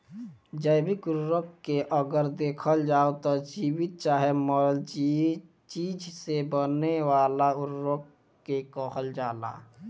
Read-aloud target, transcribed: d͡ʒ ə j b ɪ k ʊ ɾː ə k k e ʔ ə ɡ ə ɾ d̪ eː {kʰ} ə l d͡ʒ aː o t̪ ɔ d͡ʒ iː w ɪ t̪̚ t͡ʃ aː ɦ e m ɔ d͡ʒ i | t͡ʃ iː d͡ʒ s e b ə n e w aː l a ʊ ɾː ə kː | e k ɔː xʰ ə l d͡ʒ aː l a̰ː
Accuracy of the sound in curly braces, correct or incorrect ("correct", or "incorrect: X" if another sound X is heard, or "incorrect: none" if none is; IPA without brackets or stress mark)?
correct